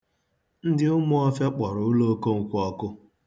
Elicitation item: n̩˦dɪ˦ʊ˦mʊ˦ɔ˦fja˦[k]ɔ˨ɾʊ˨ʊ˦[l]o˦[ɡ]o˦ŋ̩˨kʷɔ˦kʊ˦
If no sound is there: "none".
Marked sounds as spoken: k͡p, l, k

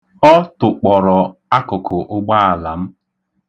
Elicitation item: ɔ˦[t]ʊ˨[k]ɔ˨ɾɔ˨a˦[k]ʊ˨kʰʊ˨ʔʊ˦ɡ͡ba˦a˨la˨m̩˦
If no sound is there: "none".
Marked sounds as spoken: t, k͡p, k

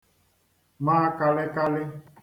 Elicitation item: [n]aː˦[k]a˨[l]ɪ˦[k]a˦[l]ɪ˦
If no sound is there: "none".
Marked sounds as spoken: m, k, l, k, l

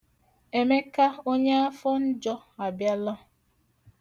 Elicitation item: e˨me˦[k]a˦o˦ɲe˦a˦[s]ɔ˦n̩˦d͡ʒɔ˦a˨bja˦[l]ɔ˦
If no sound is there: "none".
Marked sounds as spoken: k, f, l

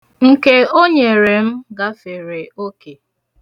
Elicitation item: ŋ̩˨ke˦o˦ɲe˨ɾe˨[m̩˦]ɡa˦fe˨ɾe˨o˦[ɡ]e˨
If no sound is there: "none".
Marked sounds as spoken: m̩˦, k

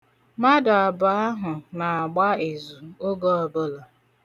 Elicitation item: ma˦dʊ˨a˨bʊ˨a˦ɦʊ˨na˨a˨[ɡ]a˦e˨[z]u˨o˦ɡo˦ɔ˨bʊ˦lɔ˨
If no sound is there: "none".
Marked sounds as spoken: ɡ͡b, z

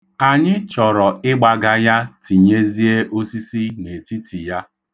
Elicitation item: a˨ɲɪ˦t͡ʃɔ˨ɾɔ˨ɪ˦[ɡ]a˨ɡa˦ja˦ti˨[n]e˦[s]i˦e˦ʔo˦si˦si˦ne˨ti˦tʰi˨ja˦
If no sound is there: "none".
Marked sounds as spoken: ɡ͡b, ɲ, z

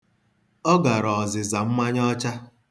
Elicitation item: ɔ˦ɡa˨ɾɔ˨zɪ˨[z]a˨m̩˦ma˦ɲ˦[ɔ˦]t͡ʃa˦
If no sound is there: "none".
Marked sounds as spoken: z, ɔ˦

